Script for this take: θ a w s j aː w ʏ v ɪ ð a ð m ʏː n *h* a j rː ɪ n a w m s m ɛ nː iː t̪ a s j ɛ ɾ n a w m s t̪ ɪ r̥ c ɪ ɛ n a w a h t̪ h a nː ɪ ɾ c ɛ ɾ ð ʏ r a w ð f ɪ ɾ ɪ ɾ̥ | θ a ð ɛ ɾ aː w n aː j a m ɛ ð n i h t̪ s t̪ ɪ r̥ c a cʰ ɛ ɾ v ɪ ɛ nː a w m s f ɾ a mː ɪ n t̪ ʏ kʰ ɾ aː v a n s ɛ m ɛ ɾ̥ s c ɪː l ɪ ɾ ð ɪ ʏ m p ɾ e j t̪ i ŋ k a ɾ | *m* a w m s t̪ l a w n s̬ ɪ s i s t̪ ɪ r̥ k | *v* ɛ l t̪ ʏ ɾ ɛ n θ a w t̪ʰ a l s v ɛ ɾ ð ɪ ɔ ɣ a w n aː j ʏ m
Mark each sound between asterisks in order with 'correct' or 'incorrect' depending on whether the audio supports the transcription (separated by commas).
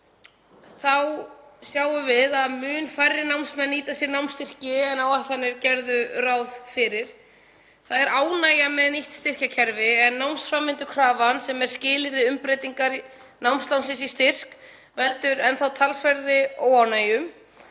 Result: incorrect, incorrect, correct